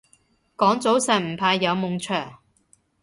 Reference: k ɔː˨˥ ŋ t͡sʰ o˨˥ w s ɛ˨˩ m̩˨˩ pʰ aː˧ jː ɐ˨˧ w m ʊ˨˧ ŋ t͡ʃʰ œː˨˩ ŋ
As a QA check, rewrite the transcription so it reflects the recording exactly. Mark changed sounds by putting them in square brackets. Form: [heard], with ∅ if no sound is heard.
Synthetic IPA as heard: k ɔː˨˥ ŋ [t͡s] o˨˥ w s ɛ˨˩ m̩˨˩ pʰ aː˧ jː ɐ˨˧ w m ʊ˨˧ ŋ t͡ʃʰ œː˨˩ ŋ